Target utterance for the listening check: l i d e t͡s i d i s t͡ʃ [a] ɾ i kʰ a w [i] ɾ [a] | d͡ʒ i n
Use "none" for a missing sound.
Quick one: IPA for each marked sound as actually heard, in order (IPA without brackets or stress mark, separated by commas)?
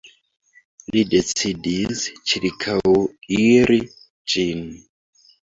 i, i, i